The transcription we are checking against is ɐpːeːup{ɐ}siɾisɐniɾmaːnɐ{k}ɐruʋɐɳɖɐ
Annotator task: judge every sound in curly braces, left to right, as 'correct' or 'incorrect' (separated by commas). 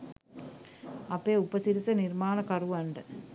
correct, correct